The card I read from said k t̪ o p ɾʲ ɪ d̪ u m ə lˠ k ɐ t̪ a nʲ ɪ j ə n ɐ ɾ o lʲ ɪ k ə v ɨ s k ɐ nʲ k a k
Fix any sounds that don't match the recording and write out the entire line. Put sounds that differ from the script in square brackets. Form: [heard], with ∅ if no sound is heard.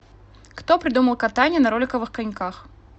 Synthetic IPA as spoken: k t̪ o p ɾʲ ɪ d̪ u m ə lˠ k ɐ t̪ a nʲ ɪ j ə n ɐ ɾ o lʲ ɪ k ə v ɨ [x] k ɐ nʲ k a [x]